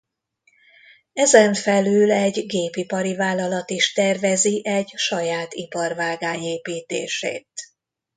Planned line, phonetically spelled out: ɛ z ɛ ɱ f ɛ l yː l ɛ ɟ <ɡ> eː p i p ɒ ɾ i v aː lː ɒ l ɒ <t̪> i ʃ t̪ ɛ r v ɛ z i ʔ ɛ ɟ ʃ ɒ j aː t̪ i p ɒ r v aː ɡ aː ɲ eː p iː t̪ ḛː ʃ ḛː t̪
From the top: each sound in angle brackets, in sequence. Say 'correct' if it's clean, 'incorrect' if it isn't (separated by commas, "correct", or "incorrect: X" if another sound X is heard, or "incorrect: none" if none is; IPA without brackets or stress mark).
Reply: correct, correct